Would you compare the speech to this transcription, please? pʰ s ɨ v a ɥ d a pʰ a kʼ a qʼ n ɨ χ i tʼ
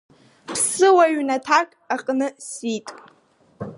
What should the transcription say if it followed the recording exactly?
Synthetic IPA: pʰ s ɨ w a ɥ n a tʰ a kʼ a qʼ n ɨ s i tʼ